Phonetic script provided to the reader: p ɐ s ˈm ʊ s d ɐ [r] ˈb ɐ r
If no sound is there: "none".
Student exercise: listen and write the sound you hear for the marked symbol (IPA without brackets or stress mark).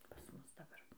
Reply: none